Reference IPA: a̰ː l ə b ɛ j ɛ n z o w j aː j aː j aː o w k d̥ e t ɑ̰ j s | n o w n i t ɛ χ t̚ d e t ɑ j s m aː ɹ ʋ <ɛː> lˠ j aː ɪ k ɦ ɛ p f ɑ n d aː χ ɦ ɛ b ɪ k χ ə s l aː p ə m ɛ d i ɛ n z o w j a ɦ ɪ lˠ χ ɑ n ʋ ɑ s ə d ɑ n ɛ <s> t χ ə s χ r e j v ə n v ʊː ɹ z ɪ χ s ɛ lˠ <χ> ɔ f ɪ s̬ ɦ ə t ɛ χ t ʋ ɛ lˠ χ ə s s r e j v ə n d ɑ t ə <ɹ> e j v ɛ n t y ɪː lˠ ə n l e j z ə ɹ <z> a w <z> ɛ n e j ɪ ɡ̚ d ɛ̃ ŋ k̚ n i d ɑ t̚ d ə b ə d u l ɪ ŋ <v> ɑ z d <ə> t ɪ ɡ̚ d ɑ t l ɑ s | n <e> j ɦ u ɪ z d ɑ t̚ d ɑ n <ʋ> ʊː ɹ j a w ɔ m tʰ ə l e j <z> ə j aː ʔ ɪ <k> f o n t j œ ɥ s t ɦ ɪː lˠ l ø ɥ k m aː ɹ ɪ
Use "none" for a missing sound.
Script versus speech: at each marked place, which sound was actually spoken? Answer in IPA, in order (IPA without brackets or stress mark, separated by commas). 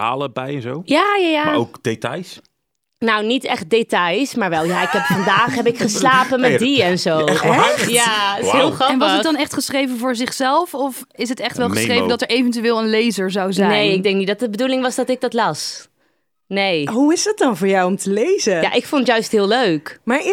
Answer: ɛ, χ, f, ɹ, z, z, ʋ, ɑ, e, v, z, k